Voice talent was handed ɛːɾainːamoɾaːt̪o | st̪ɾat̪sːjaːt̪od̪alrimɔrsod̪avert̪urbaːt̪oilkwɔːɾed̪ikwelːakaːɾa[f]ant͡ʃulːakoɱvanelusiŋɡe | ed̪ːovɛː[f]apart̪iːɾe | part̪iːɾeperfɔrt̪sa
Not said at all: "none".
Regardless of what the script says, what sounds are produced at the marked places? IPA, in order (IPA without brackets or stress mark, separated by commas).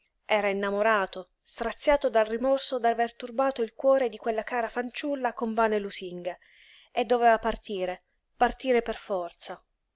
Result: f, v